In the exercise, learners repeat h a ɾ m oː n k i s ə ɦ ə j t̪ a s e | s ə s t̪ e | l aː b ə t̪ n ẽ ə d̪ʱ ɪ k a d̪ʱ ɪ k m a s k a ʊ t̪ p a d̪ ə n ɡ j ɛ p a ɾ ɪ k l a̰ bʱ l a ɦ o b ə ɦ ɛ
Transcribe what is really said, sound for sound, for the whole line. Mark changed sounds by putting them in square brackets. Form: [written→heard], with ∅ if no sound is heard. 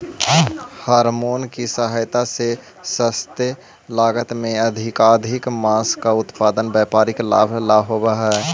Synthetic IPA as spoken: h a ɾ m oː n k i s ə ɦ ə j t̪ a s e | s ə s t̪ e | l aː [b→ɡ] ə t̪ [n→m] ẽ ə d̪ʱ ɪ k a d̪ʱ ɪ k m a s k a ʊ t̪ p a d̪ ə n [ɡ→b] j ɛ p a ɾ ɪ k l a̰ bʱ l a ɦ o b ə ɦ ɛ